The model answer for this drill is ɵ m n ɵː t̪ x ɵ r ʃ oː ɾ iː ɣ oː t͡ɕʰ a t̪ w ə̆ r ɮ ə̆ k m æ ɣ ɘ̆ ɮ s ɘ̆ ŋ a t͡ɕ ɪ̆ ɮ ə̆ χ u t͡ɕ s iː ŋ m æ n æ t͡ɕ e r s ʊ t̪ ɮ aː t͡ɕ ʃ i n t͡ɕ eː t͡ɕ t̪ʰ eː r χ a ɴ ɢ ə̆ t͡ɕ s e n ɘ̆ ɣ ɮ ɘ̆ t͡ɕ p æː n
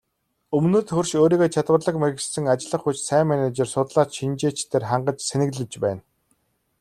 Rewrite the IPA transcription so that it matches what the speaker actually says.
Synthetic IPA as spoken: ɵ m n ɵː t̪ x ɵ r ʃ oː ɾ iː ɣ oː t͡ɕʰ a t̪ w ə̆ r ɮ ə̆ k m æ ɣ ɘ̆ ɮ s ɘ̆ ŋ a t͡ɕ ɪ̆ ɮ ə̆ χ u t͡ɕ s æː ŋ m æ n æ t͡ɕ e r s ʊ t̪ ɮ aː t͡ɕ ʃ i n t͡ɕ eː t͡ɕ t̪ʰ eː r χ a ɴ ɢ ə̆ t͡ɕ s e n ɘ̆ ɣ ɮ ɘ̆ t͡ɕ p æː n

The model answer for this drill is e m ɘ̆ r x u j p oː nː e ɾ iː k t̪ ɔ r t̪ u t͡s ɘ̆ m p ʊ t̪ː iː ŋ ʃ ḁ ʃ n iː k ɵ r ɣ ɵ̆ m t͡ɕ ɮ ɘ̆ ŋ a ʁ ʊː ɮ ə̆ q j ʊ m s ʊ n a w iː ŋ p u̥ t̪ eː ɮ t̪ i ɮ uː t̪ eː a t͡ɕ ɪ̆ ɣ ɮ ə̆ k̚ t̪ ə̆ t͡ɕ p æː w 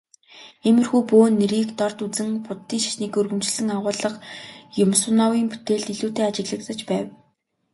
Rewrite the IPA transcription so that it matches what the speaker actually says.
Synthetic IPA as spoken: e m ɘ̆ r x u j p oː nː e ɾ iː k t̪ ɔ r t̪ u t͡s ɘ̆ ŋ p ʊ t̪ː iː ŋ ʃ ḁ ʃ n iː k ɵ r ɣ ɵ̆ m t͡ɕ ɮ ɘ̆ ŋ a ʁ ʊː ɮ ə̆ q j ʊ m s ʊ n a w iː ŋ p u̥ t̪ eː ɮ t̪ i ɮ uː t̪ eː a t͡ɕ ɪ̆ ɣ ɮ ə̆ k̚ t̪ ə̆ t͡ɕ p æː w

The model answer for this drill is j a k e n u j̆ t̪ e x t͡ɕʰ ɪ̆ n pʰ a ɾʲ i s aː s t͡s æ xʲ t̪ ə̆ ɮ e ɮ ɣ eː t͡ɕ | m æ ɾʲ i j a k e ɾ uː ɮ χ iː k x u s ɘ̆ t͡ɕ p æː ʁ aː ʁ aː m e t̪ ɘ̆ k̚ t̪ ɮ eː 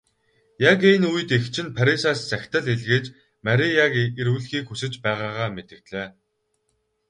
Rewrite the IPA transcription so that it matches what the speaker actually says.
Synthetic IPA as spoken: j a k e n u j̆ t̪ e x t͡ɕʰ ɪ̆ n pʰ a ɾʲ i s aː s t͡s æ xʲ t̪ ə̆ ɮ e ɮ ɣ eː t͡ɕ | m æ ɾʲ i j a k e ɾ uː ɮ x iː k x u s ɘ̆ t͡ɕ p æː ʁ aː ʁ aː m e t̪ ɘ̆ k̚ t̪ ɮ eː

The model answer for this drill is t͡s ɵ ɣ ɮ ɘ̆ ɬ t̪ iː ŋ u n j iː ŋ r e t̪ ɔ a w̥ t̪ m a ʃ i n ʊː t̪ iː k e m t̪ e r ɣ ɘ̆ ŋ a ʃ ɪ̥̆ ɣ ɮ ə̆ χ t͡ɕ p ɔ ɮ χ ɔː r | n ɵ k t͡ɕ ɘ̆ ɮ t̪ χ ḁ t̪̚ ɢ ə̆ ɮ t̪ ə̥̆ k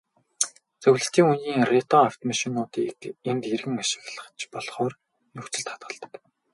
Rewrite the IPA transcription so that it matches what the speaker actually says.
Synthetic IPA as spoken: t͡s ɵ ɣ ɮ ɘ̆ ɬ t̪ iː ŋ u n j iː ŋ r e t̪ ɔ a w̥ t̪ m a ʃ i n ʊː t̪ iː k e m t̪ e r ɣ ɘ̆ ŋ a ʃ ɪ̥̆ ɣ ɮ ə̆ χ t͡ɕ p ɔ ɮ χ ɔː r | n ɵ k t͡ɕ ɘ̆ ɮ t̪ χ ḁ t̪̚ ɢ ə̆ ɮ t̪ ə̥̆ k

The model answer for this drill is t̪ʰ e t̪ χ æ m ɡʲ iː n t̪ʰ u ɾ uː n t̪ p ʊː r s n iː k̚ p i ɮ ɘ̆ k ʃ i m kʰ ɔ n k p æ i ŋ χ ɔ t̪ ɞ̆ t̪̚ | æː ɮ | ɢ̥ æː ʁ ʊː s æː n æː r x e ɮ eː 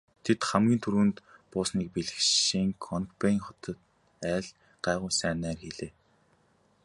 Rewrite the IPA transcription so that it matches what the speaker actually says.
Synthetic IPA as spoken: t̪ʰ e t̪ χ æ m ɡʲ iː n t̪ʰ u ɾ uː n t̪ p ʊː s n iː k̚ p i ɮ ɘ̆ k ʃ i ŋ kʰ ɔ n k p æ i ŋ χ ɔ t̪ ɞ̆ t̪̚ | æː ɮ | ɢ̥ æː ʁ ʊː s æː n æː r x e ɮ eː

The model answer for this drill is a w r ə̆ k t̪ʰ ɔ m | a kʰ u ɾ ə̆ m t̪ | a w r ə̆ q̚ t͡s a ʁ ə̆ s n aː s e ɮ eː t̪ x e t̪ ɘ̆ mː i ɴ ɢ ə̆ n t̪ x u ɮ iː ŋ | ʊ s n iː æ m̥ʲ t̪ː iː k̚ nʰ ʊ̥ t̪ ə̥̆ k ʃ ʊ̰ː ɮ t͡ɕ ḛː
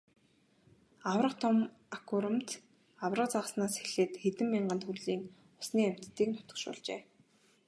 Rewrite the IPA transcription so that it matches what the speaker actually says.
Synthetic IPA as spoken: a w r ə̆ q t̪ʰ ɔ m | a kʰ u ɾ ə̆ m t̪ | a w r ə̆ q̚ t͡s a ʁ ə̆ s n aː s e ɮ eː t̪ x e t̪ ɘ̆ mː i ɴ ɢ ə̆ n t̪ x u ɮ iː ŋ | ʊ s n iː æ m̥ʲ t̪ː iː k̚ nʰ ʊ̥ t̪ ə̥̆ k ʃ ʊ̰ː ɮ t͡ɕ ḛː

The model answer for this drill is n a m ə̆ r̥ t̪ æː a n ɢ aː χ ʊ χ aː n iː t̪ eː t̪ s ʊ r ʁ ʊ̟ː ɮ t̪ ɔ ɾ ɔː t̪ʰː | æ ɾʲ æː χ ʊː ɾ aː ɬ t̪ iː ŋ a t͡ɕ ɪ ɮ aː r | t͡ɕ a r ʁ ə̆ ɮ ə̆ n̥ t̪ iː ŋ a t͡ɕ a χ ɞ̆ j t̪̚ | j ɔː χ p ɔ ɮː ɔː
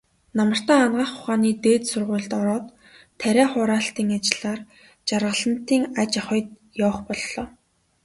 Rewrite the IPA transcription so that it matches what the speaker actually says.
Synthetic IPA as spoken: n a m ə̆ r̥ t̪ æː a n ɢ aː χ ʊ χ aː n iː t̪ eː t̪ s ʊ r ʁ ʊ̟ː ɮ t̪ ɔ ɾ ɔː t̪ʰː | æ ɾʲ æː χ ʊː ɾ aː ɬ t̪ iː ŋ a t͡ɕ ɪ ɮ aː r | t͡ɕ a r ʁ ə̆ ɮ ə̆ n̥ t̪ iː ŋ a t͡ɕ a χ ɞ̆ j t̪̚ | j ɔː χ p ɔ ɮː ɔː

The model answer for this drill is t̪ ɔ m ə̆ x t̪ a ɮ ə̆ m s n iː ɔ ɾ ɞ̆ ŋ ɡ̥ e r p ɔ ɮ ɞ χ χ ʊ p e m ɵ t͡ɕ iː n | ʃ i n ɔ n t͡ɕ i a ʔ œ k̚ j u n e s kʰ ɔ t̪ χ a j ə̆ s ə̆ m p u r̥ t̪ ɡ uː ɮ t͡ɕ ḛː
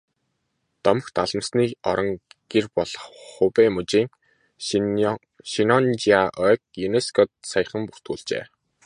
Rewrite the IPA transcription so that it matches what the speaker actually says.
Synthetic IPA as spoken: t̪ ɔ m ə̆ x t̪ a ɮ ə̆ m s n iː ɔ ɾ ɞ̆ ŋ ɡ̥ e r p ɔ ɮ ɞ χ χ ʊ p e m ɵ t͡ɕ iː ŋ | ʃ i n ɔ n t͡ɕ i a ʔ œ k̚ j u n e s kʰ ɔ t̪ s a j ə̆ χ ə̆ m p u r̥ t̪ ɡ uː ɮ t͡ɕ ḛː

